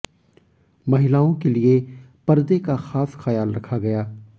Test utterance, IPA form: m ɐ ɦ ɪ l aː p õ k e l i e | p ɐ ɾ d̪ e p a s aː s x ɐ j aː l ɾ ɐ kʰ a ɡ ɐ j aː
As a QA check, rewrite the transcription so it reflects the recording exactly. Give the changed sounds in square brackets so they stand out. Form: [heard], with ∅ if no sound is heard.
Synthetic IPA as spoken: m ɐ ɦ ɪ l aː [∅] õ k e l i e | p ɐ ɾ d̪ e [k] a [x] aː s x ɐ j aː l ɾ ɐ kʰ a ɡ ɐ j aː